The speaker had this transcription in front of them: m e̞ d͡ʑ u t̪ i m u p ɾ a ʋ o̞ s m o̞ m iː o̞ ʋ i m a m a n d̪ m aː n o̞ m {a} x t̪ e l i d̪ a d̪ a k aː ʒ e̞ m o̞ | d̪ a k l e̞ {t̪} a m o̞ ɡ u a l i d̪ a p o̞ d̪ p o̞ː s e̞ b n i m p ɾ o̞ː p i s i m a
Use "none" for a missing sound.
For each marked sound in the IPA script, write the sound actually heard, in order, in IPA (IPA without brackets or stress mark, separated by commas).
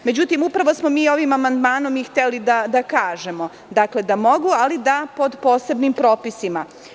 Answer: i, d̪